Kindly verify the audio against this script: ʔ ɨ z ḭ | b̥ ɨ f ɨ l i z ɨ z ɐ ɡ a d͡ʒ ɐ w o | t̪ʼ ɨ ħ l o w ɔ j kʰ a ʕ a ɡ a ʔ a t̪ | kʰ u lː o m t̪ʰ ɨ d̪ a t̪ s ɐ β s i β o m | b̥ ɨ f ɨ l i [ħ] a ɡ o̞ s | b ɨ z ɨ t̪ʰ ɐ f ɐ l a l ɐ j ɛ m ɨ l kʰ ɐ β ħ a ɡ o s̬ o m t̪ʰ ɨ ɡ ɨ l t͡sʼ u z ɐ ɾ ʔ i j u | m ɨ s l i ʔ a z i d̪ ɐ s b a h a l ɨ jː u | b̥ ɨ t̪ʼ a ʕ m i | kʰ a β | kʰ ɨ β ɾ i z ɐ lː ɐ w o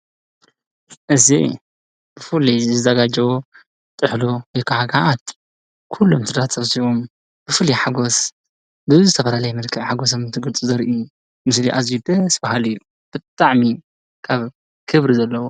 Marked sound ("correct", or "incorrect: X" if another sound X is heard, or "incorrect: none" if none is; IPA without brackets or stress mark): correct